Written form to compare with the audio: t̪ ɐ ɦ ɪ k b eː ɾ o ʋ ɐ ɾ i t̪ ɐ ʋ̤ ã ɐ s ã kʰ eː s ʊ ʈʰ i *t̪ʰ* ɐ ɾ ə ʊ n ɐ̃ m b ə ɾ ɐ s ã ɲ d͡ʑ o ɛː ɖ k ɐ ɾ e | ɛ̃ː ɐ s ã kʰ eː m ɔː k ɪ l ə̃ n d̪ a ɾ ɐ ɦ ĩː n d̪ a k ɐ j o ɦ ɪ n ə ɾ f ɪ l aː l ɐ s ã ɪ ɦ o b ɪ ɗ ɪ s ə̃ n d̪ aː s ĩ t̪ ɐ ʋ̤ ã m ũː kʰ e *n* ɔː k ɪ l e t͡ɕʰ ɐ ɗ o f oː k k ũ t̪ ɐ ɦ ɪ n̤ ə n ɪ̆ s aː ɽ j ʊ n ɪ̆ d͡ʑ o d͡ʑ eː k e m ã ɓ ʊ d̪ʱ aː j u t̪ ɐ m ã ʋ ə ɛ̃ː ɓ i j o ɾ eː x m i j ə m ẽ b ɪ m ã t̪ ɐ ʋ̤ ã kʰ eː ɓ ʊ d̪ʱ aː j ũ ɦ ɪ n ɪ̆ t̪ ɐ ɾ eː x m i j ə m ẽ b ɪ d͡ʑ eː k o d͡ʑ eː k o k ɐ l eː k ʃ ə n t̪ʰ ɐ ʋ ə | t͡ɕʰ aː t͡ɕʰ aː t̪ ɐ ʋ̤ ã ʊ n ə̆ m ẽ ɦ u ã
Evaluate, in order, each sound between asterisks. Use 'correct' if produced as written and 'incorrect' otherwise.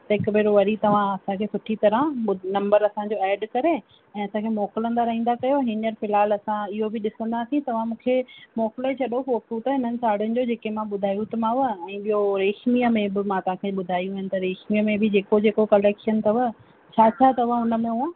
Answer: incorrect, incorrect

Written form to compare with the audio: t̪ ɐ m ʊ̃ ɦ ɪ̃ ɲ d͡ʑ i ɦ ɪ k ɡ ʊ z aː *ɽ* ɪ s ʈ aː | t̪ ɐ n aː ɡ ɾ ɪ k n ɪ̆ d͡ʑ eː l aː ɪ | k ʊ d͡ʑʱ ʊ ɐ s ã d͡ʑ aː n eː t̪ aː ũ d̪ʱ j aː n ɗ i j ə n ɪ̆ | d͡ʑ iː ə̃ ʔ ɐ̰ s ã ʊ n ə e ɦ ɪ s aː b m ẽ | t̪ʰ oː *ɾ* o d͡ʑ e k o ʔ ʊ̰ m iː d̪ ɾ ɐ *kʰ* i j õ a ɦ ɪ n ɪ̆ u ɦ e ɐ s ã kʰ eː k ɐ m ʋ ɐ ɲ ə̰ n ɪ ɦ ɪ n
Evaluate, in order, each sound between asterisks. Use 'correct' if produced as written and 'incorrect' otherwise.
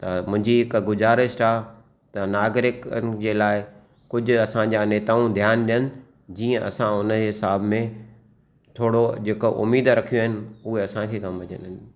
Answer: incorrect, incorrect, correct

